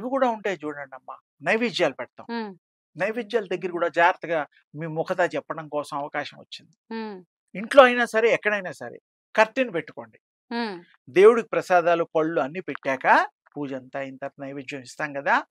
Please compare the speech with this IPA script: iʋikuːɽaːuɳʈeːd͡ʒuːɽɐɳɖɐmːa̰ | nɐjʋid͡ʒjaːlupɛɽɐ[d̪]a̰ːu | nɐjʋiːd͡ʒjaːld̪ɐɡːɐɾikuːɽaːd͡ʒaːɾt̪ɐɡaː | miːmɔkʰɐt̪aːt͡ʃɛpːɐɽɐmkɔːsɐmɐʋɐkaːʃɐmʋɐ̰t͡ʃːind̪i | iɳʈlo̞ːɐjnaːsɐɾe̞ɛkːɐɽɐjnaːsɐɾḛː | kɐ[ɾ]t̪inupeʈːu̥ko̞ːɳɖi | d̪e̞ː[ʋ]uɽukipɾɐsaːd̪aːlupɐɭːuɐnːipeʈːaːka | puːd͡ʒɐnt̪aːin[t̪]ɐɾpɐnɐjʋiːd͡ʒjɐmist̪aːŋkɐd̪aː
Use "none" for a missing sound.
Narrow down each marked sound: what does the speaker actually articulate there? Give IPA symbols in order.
t̪, ɾ, w, t̪

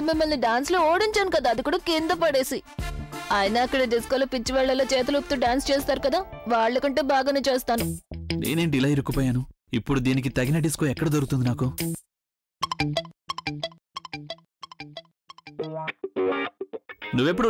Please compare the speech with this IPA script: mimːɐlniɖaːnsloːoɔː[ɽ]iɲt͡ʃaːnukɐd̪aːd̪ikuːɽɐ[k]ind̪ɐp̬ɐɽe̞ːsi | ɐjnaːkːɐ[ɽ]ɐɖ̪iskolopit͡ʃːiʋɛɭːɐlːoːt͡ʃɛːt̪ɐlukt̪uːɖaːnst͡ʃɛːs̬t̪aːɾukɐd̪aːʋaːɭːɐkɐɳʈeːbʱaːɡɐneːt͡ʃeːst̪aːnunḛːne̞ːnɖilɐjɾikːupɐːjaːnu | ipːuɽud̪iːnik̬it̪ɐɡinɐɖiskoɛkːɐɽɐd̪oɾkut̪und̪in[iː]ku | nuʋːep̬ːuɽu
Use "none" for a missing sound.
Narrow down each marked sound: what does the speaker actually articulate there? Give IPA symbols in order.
ɽ, k, ɽ, aː

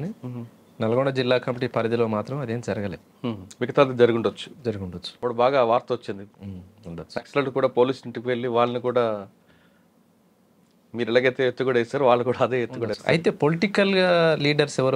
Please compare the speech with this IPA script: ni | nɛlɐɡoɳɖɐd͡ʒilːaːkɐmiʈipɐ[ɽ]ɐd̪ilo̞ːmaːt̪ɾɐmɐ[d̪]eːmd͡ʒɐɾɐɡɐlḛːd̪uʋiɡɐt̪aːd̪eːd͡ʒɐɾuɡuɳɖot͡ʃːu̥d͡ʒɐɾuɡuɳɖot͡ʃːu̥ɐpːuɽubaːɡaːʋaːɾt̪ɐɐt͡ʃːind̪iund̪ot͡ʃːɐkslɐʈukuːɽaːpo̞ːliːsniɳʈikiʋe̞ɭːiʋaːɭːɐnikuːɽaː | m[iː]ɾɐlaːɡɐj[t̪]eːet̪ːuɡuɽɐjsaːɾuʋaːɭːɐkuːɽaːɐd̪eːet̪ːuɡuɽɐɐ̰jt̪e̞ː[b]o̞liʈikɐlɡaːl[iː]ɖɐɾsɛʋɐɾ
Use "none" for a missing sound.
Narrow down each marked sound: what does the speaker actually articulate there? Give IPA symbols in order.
ɾ, d̪, iː, t̪, p, iː

